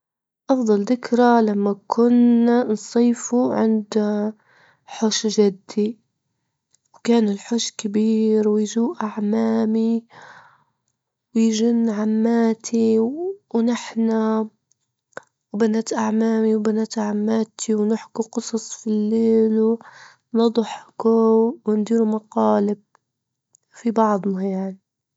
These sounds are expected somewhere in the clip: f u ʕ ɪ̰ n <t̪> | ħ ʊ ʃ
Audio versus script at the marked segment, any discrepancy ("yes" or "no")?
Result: yes